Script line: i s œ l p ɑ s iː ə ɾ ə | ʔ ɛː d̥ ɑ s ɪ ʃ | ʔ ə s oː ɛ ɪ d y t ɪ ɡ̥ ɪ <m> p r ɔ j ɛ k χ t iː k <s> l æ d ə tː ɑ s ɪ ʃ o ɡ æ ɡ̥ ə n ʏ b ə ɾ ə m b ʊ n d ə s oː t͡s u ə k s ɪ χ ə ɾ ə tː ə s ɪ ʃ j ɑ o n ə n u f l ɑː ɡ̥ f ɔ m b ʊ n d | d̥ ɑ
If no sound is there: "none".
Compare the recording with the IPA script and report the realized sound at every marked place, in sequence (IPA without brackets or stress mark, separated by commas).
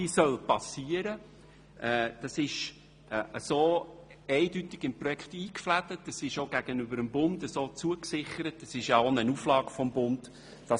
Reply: m, f